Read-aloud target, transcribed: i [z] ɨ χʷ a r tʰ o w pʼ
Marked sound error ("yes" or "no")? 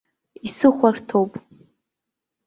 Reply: yes